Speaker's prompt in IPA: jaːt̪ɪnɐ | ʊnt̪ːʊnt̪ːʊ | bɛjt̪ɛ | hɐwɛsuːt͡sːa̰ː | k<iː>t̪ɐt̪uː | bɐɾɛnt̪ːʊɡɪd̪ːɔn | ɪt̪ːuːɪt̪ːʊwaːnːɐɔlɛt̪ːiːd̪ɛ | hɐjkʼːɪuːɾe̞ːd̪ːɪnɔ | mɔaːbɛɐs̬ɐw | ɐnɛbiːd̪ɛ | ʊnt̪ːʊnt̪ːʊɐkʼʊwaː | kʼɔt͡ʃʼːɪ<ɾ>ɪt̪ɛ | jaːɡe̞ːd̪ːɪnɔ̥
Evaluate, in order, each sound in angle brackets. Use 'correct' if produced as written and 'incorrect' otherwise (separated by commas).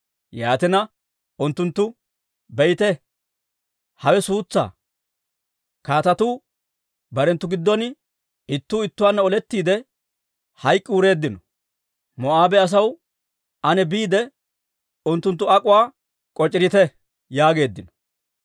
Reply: incorrect, correct